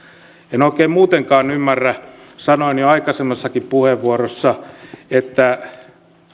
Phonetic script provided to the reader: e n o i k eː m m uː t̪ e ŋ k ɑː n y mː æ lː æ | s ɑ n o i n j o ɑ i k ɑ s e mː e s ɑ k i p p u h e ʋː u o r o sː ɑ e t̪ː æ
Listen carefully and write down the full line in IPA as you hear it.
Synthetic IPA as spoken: e n o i k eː m m uː t̪ e ŋ k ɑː n y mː æ rː æ | s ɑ n o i n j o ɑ i k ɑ s e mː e sː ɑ k i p p u h e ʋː u o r o sː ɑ e t̪ː æ

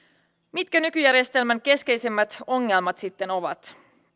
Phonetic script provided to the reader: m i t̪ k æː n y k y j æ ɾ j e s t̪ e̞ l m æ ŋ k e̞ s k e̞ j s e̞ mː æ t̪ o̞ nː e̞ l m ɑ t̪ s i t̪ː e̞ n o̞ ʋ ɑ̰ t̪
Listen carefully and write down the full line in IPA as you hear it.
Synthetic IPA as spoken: m i t̪ k æ n y k y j æ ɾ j e s t̪ e̞ l m æ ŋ k e̞ s k e̞ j s e̞ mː æ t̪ o̞ ŋː e̞ l m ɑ t̪ s i t̪ː e̞ n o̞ ʋ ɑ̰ t̪

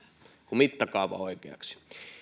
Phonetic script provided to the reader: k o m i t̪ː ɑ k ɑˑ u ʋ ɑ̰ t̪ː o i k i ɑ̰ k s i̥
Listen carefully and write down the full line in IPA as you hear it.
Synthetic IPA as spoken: k u m i t̪ː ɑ k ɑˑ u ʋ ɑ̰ o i k e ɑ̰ k s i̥

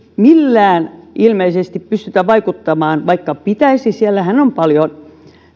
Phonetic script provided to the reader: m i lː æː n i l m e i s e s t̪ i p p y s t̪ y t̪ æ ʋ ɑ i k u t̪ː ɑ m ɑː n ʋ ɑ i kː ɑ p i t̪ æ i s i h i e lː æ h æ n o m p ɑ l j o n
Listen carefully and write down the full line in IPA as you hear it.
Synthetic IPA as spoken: m i lː æː n i l m e i s e s t̪ i p p y s t̪ y t̪ æ ʋ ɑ i k u t̪ː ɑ m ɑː n ʋ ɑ i kː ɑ p i t̪ æ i s i s i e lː æ h æ n o m p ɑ l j o n

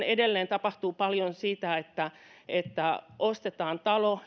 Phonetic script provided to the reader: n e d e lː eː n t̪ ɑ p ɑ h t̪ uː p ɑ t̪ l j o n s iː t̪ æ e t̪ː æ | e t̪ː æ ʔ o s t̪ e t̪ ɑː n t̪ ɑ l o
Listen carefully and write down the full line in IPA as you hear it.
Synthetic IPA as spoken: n e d e lː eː n t̪ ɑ p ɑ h t̪ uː p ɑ l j o n s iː t̪ æ e t̪ː æ | e t̪ː æ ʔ o s t̪ e t̪ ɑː n t̪ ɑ l o

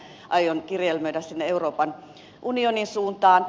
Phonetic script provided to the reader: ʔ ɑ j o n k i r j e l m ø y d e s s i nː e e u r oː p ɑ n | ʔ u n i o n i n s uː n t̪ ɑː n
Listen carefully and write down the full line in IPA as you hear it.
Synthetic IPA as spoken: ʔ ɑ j o n k i r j e l m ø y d æ s s i nː e e u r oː p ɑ n | ʔ u n i o n i n s uː n t̪ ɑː n

